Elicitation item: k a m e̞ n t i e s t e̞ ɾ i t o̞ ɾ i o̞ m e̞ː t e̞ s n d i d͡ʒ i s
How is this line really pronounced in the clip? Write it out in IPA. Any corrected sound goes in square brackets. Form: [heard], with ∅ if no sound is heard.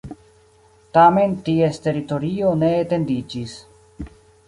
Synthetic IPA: [t] a m e̞ n t i e s t e̞ ɾ i t o̞ ɾ i o̞ [n] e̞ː t e̞ [∅] n d i d͡ʒ i s